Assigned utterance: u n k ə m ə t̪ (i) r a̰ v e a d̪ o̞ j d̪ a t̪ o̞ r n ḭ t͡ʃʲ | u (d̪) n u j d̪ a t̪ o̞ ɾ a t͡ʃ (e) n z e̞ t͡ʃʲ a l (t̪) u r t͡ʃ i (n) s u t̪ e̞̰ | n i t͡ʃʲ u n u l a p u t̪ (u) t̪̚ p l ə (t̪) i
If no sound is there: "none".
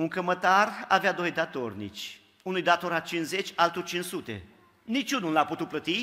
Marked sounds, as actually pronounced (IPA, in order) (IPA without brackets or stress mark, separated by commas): a, none, i, t̪, n, u, t̪